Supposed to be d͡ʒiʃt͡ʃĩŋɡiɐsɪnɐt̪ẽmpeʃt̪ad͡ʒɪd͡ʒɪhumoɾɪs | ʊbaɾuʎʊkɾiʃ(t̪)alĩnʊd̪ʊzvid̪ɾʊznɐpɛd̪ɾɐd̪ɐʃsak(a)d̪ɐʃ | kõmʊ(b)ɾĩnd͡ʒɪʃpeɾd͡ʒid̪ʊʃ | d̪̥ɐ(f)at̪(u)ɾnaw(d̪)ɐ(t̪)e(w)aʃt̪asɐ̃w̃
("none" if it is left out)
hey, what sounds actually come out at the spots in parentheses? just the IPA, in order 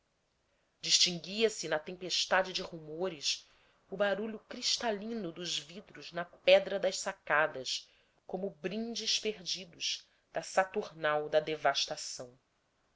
t̪, a, b, s, u, d̪, d̪, v

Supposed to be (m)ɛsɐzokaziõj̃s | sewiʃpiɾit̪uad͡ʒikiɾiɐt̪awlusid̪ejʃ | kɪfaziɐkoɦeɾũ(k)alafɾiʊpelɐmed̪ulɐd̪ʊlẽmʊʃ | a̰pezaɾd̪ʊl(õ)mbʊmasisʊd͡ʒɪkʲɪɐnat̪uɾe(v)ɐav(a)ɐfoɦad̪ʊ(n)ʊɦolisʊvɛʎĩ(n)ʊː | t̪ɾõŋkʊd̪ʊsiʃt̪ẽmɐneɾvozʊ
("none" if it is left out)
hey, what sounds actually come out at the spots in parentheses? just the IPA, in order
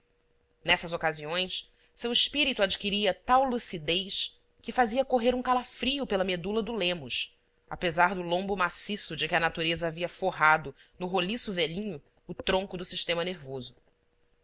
n, k, õ, z, i, n, ɲ

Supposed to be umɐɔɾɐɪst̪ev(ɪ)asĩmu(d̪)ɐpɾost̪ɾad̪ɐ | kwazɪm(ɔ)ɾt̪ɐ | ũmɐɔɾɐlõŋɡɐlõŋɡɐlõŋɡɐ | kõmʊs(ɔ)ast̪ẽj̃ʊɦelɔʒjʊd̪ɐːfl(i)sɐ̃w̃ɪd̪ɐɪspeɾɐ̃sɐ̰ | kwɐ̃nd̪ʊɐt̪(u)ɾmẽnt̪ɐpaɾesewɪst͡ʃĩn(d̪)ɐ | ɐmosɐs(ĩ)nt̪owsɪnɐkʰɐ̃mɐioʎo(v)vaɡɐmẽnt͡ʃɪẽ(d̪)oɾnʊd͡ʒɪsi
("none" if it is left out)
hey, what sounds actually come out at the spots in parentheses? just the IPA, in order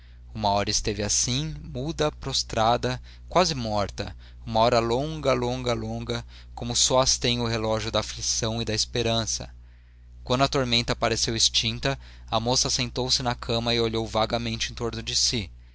ɪ, d̪, ɔ, ɔ, i, o, t̪, ẽ, w, t̪

